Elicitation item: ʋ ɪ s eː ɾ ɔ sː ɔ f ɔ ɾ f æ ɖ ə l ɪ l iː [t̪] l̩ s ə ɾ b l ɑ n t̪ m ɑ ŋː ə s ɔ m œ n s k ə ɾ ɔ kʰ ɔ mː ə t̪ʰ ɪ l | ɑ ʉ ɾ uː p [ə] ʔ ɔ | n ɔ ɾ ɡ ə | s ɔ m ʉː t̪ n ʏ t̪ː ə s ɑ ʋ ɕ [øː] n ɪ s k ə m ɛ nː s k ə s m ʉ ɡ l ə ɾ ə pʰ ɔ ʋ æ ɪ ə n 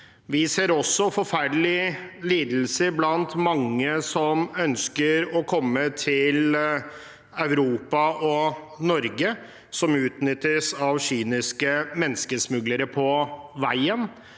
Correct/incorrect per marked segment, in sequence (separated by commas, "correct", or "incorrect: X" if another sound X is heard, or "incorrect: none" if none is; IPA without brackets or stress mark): incorrect: d̪, incorrect: ɑ, incorrect: yː